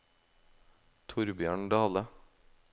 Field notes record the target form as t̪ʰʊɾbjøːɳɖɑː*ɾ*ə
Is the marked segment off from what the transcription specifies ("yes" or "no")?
yes